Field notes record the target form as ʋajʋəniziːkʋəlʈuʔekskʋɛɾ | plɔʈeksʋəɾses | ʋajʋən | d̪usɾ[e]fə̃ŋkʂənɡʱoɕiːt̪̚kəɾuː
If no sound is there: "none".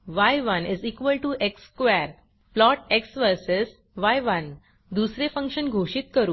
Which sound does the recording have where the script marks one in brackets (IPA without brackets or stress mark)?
e